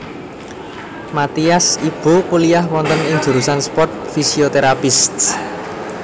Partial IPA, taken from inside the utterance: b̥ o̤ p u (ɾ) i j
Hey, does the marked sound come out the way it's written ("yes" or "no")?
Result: no